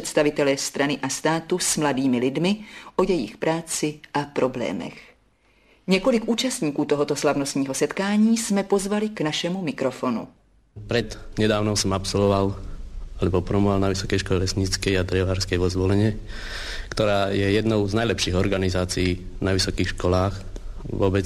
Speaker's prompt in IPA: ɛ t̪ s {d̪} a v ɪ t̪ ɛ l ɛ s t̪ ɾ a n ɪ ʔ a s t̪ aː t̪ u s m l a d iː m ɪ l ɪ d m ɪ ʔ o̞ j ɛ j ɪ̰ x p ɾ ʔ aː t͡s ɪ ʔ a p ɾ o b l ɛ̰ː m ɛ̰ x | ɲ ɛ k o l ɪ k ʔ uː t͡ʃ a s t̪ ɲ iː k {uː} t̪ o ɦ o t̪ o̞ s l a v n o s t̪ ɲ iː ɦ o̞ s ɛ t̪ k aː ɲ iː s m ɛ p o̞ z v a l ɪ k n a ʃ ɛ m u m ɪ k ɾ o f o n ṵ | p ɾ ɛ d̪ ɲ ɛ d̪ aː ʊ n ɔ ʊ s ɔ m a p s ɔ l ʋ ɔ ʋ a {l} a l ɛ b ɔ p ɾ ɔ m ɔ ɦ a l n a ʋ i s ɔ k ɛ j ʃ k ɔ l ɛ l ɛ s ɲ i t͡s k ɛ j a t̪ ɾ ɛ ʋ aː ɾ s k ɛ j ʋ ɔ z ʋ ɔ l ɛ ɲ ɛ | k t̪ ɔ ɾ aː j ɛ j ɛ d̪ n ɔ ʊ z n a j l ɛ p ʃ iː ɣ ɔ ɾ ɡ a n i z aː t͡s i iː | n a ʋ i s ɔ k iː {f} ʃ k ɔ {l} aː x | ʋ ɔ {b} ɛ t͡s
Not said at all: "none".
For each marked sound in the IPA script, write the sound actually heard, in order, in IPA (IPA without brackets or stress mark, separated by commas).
t̪, uː, l, x, l, b